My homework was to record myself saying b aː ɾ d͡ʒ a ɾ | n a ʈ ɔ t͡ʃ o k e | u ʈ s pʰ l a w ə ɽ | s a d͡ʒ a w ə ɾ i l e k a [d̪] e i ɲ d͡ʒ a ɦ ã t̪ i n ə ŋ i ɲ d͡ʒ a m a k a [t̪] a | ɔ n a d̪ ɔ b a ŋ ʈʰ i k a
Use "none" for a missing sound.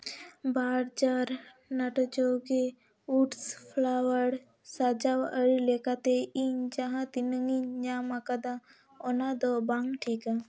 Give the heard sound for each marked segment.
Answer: t̪, d̪

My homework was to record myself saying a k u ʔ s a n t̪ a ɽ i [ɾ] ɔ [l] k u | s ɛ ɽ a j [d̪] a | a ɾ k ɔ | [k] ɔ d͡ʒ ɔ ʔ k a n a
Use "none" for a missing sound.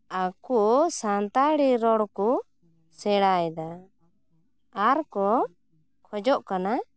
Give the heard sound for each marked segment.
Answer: ɾ, ɽ, d̪, kʰ

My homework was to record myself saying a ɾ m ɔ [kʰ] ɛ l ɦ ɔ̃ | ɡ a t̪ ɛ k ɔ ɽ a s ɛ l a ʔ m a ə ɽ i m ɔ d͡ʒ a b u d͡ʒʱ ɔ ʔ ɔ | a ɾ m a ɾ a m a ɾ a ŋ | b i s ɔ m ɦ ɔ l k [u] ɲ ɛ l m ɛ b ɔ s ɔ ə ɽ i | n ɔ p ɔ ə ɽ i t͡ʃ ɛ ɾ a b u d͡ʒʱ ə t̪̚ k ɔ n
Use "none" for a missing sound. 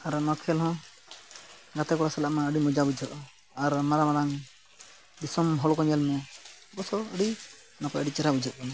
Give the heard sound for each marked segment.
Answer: kʰ, ɔ

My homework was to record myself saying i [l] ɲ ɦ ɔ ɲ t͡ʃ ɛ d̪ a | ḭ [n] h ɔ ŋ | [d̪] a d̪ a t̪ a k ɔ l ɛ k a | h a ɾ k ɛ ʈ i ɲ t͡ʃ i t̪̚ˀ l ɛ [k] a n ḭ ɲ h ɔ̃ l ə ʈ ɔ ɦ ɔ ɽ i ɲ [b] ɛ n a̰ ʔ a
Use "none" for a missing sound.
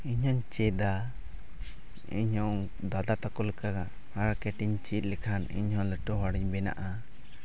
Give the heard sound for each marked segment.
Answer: none, ɲ, d̪, kʰ, b

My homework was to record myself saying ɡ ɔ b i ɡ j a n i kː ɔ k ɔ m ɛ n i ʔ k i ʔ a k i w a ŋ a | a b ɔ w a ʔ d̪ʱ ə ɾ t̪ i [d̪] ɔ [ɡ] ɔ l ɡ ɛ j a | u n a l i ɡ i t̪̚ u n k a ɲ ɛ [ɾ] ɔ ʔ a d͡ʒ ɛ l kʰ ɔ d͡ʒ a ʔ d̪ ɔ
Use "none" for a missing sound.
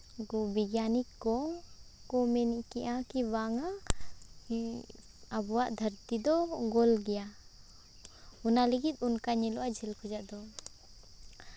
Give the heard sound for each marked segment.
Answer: d̪, ɡ, l

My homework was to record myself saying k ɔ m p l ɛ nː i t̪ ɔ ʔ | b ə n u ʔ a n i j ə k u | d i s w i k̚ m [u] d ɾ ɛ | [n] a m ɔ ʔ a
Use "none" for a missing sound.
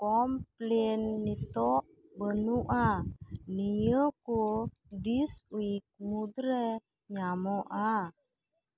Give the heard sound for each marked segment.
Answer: u, ɲ

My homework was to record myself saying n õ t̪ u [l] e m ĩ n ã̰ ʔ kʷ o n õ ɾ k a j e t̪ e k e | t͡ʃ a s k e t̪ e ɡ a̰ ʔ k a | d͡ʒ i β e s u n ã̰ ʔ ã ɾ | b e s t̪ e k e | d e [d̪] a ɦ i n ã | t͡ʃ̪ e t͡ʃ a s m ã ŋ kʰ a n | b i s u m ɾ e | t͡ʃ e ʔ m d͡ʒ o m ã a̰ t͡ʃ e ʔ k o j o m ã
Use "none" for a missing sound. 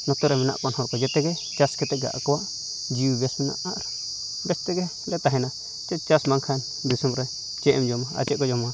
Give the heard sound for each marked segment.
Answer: ɾ, t̪

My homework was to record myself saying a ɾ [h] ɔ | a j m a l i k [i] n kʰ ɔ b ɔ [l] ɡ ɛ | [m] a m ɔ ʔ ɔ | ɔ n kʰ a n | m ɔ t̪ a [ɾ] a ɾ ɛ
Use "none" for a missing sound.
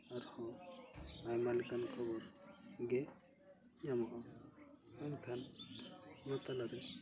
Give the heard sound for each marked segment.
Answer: h, a, ɾ, ɲ, l

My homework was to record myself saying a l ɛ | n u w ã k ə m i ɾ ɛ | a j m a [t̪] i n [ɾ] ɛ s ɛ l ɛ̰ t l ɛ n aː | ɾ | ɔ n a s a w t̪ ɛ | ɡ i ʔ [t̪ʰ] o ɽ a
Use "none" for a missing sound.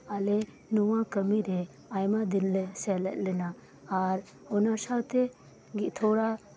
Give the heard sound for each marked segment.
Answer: d̪, l, t̪ʰ

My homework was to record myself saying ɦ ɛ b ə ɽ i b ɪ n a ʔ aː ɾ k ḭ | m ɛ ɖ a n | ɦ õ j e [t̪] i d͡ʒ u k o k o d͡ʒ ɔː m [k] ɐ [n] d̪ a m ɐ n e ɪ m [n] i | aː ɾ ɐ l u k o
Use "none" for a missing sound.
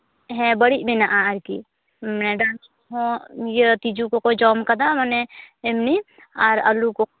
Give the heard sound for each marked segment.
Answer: t̪, k, none, n

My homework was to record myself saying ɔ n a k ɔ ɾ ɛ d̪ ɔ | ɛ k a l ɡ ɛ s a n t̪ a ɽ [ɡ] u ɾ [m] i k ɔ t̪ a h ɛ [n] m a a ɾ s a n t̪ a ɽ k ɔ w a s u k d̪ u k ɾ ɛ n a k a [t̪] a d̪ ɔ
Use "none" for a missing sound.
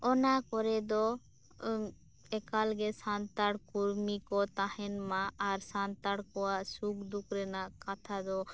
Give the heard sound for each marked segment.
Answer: k, m, n, t̪ʰ

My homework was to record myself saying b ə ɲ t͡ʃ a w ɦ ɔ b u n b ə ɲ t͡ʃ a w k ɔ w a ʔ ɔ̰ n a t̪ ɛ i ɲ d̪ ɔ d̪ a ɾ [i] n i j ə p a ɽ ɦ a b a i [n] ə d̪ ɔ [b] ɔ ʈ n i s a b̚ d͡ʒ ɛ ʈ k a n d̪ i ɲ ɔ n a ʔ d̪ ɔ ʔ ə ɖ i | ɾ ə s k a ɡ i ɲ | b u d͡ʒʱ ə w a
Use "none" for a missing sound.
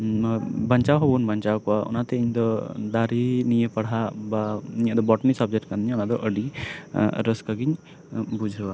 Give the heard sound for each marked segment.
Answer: i, ɲ, b

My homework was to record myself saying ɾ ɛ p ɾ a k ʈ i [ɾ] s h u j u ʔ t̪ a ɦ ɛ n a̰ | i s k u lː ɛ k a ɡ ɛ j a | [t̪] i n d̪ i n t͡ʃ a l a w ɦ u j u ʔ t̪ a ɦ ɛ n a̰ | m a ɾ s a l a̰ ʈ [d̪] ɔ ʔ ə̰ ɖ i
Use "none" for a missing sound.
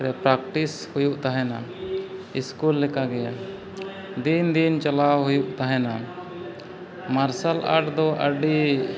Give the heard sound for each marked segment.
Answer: none, d̪, d̪

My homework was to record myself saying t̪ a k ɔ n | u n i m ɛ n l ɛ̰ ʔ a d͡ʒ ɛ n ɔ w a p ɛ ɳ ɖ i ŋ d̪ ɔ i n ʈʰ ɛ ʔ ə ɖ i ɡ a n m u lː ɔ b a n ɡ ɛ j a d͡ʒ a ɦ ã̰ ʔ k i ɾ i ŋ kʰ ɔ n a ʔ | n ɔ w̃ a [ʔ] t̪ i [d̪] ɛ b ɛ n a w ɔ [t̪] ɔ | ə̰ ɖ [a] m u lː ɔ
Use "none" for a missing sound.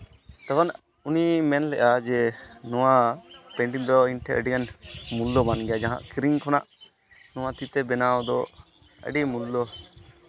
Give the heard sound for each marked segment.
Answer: none, t̪, d̪, i

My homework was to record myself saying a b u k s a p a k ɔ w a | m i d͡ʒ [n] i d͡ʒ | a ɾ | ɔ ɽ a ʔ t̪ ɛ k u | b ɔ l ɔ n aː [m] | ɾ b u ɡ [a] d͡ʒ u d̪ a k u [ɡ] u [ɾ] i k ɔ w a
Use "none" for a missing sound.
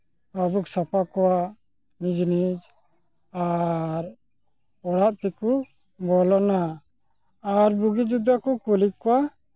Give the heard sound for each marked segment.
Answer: n, none, i, k, l

